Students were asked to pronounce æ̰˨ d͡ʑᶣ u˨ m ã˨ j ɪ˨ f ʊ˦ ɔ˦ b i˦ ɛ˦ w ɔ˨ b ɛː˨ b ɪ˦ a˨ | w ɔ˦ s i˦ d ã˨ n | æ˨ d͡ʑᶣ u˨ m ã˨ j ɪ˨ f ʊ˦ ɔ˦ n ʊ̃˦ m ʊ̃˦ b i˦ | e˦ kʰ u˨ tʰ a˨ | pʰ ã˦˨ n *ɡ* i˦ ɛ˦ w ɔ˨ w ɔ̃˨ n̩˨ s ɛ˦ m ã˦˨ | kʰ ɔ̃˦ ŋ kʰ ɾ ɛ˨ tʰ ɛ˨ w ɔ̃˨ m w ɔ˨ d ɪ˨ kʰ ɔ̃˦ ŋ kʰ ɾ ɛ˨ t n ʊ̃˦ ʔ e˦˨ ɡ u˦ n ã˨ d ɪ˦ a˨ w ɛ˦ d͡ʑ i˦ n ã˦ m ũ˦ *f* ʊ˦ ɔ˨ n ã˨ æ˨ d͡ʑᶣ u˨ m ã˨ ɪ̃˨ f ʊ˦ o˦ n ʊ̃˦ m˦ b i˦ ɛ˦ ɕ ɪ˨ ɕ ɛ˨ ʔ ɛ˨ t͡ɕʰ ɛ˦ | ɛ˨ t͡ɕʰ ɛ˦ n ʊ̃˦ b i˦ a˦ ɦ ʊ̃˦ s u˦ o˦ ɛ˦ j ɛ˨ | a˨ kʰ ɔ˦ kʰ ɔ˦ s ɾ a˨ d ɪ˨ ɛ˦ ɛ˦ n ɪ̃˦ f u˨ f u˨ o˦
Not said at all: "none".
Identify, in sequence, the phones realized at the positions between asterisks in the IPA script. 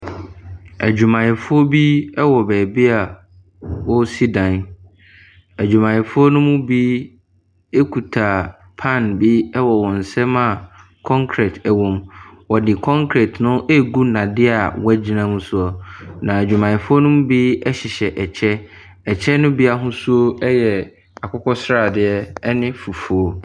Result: b, s

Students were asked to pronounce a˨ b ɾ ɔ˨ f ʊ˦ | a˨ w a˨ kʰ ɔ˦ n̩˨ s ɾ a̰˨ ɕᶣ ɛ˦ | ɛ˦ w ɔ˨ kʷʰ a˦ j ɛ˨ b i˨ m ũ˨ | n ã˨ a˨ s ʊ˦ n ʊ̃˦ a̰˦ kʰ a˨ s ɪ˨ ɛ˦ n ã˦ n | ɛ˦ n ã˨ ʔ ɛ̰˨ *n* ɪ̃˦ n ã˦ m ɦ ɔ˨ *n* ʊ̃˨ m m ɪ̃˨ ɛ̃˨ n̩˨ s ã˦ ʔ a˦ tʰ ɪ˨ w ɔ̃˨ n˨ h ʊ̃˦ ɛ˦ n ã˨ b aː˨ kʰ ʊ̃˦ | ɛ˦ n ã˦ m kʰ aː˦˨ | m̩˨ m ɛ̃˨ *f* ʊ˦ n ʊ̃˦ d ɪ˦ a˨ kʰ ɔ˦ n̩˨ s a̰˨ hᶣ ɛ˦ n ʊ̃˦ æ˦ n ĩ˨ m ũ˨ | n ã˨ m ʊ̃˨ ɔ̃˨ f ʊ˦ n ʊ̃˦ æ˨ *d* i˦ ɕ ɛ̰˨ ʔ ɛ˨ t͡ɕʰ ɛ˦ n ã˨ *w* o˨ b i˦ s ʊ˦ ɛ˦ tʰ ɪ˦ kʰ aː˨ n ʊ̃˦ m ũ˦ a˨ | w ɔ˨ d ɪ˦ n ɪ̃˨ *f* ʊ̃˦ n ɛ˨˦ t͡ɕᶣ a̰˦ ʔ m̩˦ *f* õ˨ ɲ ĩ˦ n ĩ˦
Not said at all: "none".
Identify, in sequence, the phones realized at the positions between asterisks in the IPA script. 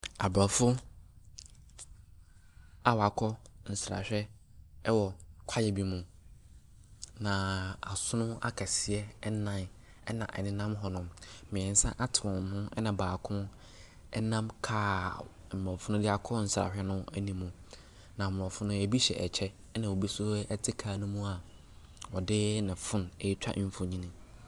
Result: n, n, f, b, w, f, f

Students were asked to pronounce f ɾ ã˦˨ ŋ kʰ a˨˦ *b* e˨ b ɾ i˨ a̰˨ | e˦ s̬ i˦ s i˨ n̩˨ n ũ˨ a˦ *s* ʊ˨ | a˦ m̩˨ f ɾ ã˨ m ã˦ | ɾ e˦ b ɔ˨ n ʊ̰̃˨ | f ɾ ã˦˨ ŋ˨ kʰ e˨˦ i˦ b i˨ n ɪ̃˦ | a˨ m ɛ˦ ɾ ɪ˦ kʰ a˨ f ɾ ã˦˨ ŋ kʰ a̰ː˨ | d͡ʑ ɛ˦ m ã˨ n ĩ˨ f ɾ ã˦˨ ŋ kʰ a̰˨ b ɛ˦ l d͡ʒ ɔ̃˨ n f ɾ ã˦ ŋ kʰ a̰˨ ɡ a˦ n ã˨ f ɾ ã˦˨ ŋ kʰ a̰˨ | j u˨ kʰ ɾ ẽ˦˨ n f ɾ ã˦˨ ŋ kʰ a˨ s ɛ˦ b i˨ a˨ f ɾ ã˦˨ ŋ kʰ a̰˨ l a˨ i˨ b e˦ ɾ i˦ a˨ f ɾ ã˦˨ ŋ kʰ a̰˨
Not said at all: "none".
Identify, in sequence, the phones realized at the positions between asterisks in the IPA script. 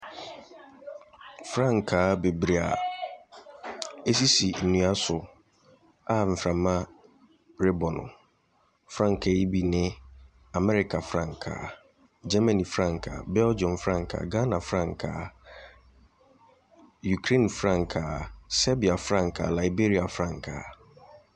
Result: b, s

